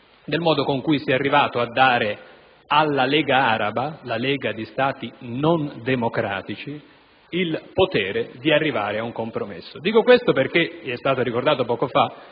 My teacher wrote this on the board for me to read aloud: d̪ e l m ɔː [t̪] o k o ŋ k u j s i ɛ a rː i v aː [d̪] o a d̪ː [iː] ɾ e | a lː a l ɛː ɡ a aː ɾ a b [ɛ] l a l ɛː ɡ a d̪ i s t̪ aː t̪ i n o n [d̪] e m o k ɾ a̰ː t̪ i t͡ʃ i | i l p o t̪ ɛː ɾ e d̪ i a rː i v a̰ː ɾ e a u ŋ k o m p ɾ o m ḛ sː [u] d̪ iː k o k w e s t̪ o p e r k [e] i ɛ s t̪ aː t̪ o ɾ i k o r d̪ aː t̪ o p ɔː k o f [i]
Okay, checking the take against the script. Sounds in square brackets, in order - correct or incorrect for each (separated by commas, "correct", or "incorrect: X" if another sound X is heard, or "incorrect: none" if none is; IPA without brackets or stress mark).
incorrect: d̪, incorrect: t̪, incorrect: aː, incorrect: a, correct, incorrect: o, correct, incorrect: a